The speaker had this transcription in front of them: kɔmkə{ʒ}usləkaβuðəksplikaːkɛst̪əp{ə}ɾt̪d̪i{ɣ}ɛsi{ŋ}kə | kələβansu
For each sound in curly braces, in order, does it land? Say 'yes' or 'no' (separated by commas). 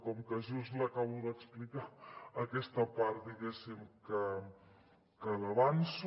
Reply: yes, no, yes, no